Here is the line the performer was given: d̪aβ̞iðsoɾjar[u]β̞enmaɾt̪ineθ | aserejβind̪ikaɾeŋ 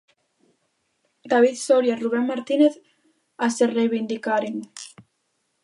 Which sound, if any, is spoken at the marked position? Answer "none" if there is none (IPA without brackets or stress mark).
u